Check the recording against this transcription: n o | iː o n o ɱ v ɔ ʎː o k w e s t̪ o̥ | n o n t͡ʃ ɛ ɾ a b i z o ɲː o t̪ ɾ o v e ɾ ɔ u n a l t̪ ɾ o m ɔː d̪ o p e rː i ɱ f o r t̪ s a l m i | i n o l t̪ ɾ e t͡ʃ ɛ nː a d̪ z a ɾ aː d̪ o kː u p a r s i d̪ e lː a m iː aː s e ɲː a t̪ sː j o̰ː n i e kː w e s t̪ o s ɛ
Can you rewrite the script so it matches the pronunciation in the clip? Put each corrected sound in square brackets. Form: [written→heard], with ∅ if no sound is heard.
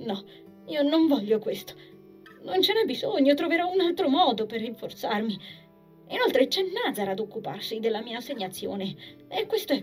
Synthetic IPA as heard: n [o→ɔ] | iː o n o ɱ v ɔ ʎː o k w e s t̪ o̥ | n o n t͡ʃ ɛ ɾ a b i z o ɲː o t̪ ɾ o v e ɾ ɔ u n a l t̪ ɾ o m ɔː d̪ o p e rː i ɱ f o r t̪ s a [l→r] m i | i n o l t̪ ɾ e t͡ʃ ɛ nː a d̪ z a ɾ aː d̪ o kː u p a r s i d̪ e lː a m iː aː s e ɲː a t̪ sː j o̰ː n [i→e] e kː w e s t̪ o [s→∅] ɛ